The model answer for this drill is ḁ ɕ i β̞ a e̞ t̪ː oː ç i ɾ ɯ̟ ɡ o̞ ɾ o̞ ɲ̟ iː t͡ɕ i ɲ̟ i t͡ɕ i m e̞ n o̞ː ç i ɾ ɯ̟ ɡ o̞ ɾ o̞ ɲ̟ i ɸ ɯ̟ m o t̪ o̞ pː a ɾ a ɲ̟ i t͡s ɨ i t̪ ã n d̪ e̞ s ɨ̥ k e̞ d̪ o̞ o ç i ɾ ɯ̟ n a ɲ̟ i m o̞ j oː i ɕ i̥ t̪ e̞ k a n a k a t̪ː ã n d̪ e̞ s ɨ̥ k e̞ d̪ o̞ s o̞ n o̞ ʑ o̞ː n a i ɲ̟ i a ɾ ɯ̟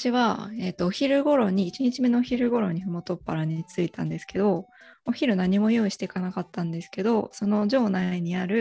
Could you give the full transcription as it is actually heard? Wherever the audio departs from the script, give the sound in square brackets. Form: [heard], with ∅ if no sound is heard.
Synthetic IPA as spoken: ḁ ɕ i β̞ a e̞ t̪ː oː ç i ɾ ɯ̟ ɡ o̞ ɾ o̞ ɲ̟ iː t͡ɕ i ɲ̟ i t͡ɕ i m e̞ n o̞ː ç i ɾ ɯ̟ ɡ o̞ ɾ o̞ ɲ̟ i ɸ ɯ̟ m o t̪ o̞ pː a ɾ a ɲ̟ i t͡s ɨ i t̪ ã n d̪ e̞ s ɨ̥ k e̞ d̪ o̞ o ç i ɾ ɯ̟ n a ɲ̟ i m o̞ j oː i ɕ i̥ t̪ e̞ k a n a k a t̪ː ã n d̪ e̞ s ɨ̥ k e̞ d̪ o̞ s o̞ n o̞ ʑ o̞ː n a i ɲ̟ i a ɾ ɯ̟